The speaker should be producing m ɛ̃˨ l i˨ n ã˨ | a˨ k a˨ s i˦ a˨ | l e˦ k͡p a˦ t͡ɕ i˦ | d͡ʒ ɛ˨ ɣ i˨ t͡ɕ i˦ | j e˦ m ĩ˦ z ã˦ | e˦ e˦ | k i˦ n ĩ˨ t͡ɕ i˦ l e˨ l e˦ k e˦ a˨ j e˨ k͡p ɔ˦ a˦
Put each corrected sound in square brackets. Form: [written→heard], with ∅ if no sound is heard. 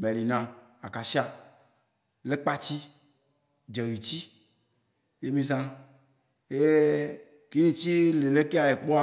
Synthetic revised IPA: m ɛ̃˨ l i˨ n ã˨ | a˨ k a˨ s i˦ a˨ | l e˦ k͡p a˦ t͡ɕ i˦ | d͡ʒ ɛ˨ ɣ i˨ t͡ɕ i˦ | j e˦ m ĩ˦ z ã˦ | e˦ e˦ | k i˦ n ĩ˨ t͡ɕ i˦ l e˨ l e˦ k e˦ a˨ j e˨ k͡p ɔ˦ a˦